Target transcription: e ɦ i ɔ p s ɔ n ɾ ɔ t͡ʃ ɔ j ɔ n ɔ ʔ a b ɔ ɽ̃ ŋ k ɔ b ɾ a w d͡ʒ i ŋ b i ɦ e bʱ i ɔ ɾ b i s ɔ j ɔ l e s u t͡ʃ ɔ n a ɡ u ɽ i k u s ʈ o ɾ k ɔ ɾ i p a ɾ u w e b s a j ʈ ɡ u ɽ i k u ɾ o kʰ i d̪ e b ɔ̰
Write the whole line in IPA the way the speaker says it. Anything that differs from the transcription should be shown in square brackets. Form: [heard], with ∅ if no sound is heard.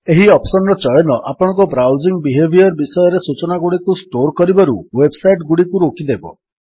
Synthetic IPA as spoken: e ɦ i ɔ p s ɔ n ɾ ɔ t͡ʃ ɔ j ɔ n ɔ ʔ a [p] ɔ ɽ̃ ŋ k ɔ b ɾ a w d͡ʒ i ŋ b i ɦ e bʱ i ɔ ɾ b i s ɔ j ɔ [ɾ] e s u t͡ʃ ɔ n a ɡ u ɽ i k u s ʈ o ɾ k ɔ ɾ i [b] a ɾ u w e b s a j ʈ ɡ u ɽ i k u ɾ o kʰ i d̪ e b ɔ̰